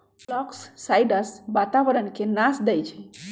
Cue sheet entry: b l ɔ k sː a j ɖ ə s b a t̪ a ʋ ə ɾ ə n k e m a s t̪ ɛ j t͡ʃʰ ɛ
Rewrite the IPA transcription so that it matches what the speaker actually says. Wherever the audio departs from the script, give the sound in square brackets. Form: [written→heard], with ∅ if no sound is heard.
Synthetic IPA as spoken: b l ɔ k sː a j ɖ ə s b a t̪ a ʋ ə ɾ ə n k e [m→n] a s [t̪→d̪] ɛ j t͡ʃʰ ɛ